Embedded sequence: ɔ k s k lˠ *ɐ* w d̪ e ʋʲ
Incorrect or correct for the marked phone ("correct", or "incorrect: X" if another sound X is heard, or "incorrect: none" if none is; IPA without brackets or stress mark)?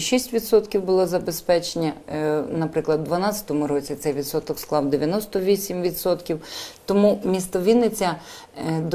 incorrect: ɑ